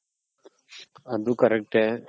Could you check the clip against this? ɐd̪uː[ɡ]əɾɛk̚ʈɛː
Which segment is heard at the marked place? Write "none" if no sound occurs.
k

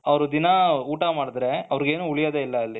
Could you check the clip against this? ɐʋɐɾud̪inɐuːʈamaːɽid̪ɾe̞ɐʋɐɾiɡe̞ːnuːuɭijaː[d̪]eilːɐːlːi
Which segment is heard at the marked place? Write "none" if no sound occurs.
d̪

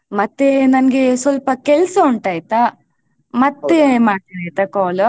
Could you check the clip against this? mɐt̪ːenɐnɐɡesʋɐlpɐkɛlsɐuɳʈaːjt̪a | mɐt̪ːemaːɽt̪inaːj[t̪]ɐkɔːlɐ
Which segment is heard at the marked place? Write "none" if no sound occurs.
t̪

